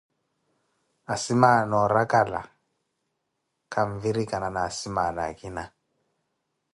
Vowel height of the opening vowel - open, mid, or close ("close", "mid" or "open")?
open